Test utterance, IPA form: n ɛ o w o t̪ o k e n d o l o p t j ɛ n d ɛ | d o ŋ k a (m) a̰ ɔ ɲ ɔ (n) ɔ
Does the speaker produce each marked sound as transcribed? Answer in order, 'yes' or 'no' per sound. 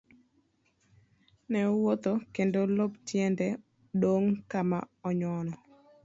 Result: yes, yes

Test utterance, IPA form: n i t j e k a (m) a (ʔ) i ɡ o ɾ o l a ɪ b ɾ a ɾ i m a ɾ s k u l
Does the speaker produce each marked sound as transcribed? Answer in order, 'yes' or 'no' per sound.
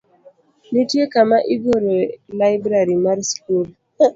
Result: yes, yes

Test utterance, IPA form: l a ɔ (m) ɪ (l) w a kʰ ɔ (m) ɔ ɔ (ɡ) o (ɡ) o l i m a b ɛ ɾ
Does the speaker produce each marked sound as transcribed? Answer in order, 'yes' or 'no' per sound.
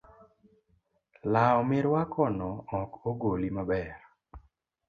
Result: yes, no, no, no, yes

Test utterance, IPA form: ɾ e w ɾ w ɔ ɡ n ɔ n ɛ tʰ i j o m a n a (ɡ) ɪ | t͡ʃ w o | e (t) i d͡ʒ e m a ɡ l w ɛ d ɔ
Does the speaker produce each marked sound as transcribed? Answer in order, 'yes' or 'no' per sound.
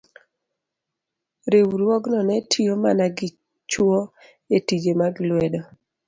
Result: yes, yes

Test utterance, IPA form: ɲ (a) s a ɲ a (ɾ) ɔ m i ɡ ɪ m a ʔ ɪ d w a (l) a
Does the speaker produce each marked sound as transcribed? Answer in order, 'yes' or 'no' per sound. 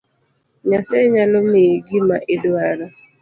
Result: yes, no, no

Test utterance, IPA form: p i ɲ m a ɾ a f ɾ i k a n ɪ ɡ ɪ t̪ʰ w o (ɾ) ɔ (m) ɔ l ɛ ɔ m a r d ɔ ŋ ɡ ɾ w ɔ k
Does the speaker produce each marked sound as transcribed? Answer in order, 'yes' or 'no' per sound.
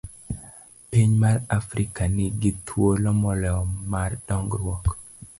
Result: no, yes

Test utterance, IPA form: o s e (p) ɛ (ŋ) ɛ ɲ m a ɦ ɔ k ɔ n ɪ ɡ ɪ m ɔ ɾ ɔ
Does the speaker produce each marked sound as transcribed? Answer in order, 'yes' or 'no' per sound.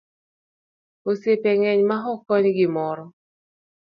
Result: yes, yes

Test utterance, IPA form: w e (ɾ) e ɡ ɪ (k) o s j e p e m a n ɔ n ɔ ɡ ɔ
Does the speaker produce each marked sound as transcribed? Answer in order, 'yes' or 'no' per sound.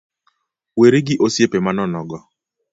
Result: yes, no

